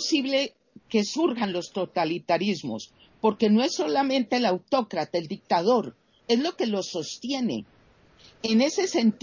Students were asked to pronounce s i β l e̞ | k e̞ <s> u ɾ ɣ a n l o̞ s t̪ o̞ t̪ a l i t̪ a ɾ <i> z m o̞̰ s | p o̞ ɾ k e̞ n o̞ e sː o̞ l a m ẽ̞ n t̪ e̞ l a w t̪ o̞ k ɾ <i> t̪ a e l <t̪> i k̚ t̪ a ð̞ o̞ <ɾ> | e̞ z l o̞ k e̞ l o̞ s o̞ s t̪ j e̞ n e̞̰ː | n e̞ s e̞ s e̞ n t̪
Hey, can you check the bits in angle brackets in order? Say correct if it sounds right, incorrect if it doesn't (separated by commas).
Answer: correct, correct, incorrect, incorrect, correct